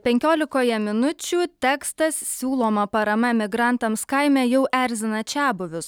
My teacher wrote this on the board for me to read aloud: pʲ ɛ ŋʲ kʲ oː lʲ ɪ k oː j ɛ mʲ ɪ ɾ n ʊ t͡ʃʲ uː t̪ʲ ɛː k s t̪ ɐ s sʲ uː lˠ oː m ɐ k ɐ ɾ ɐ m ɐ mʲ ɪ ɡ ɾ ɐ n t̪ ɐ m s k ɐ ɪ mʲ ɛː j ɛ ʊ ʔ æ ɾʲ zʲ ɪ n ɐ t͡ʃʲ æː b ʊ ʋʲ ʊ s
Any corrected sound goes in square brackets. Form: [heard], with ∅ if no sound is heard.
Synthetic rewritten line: pʲ ɛ ŋʲ kʲ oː lʲ ɪ k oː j ɛ mʲ ɪ [∅] n ʊ t͡ʃʲ uː t̪ʲ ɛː k s t̪ ɐ s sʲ uː lˠ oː m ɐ [p] ɐ ɾ ɐ m ɐ mʲ ɪ ɡ ɾ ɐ n t̪ ɐ m s k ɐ ɪ mʲ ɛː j ɛ ʊ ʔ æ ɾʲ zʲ ɪ n ɐ t͡ʃʲ æː b ʊ ʋʲ ʊ s